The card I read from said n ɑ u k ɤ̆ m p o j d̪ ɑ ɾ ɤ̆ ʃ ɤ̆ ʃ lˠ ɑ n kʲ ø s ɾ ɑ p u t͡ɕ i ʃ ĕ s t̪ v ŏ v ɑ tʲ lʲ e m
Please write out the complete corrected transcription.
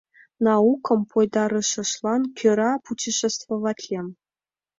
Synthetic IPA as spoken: n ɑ u k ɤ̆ m p o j d̪ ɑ ɾ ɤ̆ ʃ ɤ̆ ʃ lˠ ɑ n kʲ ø ɾ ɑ p u t͡ɕ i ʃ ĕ s t̪ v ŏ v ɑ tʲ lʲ e m